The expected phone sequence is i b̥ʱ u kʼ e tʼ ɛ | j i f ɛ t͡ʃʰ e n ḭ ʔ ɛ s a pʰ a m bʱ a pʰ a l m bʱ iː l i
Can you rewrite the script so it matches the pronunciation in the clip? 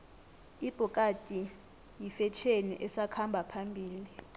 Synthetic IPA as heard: i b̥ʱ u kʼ a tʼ i | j i f ɛ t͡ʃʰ e n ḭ ʔ ɛ s a kʰ a m bʱ a pʰ a m bʱ iː l i